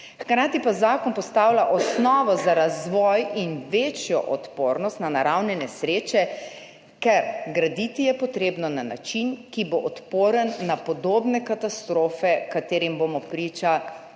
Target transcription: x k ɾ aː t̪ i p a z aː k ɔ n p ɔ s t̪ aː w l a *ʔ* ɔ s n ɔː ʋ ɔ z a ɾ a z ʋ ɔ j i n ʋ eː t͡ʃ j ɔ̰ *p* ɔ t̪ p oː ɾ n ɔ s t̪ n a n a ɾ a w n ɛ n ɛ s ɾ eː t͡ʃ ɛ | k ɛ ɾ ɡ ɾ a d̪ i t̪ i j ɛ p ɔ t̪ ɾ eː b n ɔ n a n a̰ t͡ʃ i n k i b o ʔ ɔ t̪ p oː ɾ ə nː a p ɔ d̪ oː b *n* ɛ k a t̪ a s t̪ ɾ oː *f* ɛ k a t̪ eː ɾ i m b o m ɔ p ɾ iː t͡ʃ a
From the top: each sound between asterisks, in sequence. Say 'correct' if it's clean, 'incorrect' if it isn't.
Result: correct, incorrect: ʔ, correct, correct

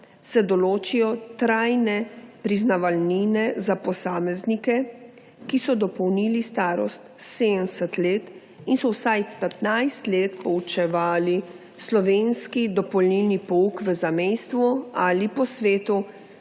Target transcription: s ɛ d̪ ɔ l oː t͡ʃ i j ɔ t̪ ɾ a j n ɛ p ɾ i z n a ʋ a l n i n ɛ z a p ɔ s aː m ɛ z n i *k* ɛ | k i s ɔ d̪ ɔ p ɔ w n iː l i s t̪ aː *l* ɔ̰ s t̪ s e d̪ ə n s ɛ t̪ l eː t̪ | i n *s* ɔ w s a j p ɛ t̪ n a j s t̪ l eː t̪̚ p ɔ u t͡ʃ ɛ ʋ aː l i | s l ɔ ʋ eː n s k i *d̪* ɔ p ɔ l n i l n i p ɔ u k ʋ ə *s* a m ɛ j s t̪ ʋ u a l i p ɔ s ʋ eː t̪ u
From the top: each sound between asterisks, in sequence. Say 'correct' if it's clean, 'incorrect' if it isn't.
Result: correct, incorrect: ɾ, correct, correct, incorrect: z

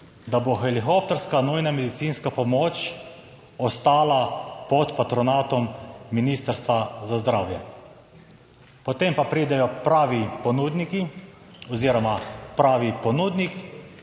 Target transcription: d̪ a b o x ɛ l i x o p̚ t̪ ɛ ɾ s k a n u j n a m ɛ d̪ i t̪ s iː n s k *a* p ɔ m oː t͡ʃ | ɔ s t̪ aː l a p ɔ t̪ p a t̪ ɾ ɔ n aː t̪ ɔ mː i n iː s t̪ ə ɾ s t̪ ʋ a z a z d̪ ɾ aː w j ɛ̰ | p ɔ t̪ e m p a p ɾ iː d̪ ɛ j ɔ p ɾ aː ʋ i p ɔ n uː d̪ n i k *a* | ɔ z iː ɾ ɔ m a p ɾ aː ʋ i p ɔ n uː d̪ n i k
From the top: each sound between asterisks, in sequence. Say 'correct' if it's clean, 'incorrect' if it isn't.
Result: correct, incorrect: i

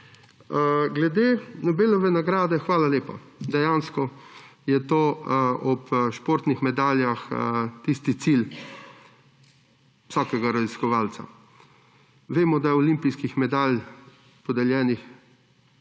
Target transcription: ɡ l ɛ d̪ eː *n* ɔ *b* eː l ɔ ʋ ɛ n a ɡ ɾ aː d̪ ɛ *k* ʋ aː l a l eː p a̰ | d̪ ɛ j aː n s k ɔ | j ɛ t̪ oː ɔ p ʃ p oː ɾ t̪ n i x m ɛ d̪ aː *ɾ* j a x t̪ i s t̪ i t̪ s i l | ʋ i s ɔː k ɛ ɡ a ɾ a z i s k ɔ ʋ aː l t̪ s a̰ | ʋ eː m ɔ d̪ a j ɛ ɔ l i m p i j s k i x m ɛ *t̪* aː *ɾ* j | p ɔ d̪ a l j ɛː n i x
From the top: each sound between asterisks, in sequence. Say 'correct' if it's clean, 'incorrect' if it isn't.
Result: correct, correct, incorrect: x, incorrect: l, incorrect: d̪, incorrect: l

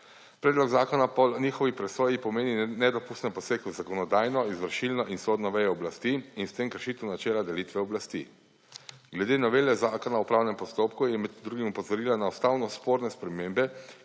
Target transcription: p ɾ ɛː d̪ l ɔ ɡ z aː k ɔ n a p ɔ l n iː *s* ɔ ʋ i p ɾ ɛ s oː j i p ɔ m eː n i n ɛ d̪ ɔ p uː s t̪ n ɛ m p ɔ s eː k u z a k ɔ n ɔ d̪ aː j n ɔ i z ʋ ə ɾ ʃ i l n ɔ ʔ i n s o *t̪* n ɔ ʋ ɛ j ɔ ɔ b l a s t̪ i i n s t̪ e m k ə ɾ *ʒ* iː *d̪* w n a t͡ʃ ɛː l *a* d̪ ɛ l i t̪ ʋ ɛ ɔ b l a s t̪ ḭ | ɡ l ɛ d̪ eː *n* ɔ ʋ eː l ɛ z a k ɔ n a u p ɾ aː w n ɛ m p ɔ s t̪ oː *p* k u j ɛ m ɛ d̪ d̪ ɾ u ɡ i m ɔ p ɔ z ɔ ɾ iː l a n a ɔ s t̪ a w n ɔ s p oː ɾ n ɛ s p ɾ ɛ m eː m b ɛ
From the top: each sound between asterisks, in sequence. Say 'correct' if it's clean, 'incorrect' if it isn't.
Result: incorrect: x, incorrect: d̪, incorrect: ʃ, incorrect: t̪, correct, correct, correct

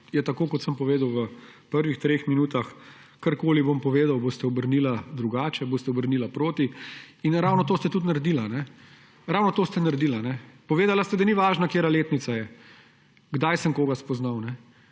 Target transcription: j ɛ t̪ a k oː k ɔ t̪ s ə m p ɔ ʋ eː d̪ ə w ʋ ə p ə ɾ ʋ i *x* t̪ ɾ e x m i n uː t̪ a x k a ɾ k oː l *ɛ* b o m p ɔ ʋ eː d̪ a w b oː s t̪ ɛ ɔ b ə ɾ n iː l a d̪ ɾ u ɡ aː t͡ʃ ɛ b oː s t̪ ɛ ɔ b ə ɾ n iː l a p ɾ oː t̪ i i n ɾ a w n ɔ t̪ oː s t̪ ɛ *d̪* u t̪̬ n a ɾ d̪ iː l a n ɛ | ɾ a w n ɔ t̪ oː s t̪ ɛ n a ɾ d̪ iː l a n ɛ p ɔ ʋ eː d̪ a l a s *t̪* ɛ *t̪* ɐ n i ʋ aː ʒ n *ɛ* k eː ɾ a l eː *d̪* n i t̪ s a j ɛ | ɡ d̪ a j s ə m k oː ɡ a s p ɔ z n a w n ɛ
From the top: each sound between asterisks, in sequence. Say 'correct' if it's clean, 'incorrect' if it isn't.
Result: correct, incorrect: i, incorrect: t̪, correct, incorrect: d̪, incorrect: a, incorrect: t̪

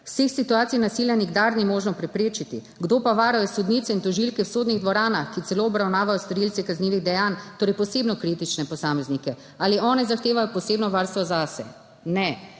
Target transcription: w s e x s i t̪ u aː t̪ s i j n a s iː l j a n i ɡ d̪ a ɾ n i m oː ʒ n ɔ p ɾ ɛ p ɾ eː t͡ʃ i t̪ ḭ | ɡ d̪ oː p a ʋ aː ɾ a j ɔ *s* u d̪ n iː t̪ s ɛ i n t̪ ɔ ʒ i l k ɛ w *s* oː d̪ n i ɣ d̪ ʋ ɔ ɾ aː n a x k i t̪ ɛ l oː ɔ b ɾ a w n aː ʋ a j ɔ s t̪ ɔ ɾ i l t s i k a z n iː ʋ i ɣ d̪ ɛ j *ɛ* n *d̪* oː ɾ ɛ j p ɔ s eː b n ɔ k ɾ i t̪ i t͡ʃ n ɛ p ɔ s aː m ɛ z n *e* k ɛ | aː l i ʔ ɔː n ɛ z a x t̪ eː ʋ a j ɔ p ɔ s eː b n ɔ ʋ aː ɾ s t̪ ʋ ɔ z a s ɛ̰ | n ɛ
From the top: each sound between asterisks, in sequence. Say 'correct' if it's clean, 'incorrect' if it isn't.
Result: correct, correct, incorrect: a, incorrect: t̪, incorrect: i

